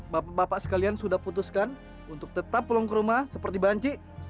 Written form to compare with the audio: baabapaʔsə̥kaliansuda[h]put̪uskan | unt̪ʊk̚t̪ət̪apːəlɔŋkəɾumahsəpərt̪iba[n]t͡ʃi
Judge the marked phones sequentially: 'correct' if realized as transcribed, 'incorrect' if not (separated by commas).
correct, incorrect